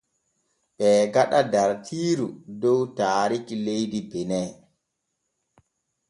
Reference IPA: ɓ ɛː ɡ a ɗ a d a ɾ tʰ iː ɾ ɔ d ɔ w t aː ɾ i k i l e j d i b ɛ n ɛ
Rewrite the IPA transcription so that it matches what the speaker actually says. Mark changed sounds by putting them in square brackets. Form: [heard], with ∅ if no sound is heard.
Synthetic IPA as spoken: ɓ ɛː ɡ a ɗ a d a ɾ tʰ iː ɾ [u] d ɔ w t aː ɾ i k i l e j d i b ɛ n ɛ

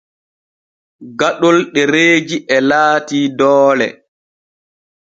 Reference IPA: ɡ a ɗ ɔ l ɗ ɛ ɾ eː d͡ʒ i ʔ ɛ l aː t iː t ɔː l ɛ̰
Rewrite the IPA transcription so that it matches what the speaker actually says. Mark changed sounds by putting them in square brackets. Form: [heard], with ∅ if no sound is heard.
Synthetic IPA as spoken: ɡ a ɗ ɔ l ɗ ɛ ɾ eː d͡ʒ i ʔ ɛ l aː t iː [d] ɔː l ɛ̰

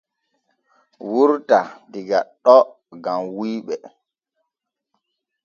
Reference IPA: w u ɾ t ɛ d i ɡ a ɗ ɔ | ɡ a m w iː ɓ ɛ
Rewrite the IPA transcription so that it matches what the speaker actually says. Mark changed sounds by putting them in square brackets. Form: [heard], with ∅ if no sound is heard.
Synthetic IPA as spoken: w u ɾ t [a] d i ɡ a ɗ ɔ | ɡ a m w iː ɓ ɛ

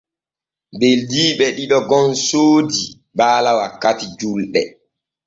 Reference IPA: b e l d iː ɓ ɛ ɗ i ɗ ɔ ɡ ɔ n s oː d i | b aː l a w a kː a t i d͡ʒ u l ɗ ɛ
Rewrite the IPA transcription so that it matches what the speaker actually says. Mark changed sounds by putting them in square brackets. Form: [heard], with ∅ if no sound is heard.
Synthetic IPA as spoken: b e l d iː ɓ ɛ ɗ i ɗ ɔ ɡ ɔ n s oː d i | b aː l a w a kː a t i d͡ʒ u l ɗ ɛ

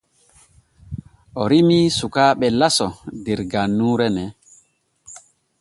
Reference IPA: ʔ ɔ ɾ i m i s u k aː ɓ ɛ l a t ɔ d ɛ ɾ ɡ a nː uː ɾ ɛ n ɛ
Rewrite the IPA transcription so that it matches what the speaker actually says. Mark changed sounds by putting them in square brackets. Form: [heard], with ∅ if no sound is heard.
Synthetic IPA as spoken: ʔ ɔ ɾ i m i s u k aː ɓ ɛ l a [s] ɔ d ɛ ɾ ɡ a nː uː ɾ ɛ n ɛ

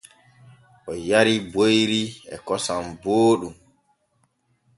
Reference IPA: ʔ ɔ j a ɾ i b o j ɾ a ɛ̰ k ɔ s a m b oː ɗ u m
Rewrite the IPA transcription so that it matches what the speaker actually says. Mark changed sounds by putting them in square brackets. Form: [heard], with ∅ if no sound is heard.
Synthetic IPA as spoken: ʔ ɔ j a ɾ i b o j ɾ [i] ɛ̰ k ɔ s a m b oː ɗ u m

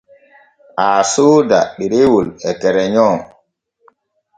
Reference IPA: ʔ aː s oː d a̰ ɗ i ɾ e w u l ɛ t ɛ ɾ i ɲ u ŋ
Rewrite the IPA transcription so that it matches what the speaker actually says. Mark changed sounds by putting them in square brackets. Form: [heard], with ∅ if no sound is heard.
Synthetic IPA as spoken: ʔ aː s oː d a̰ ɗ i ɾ e w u l ɛ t ɛ ɾ [ɛ] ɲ [ɔ] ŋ

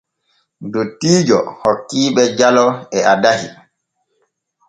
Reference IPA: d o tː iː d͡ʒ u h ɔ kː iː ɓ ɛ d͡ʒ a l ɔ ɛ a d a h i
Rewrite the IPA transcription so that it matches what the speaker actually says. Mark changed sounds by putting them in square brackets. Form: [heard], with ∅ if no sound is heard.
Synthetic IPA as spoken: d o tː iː d͡ʒ [ɔ] h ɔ kː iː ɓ ɛ d͡ʒ a l ɔ ɛ a d a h i

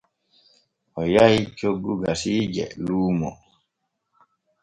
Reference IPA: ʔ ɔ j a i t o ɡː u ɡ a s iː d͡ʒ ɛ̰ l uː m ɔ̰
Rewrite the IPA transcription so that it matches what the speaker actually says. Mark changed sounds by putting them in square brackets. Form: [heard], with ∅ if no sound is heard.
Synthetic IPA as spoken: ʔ ɔ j a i [t͡ʃ] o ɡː u ɡ a s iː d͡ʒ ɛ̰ l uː m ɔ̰

